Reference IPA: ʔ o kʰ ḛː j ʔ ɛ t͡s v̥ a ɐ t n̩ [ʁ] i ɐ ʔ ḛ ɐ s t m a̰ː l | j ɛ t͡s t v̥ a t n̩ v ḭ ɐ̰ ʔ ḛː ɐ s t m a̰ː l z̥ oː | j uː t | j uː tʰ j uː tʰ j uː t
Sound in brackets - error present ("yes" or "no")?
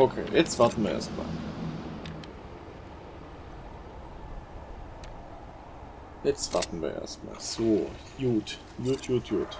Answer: yes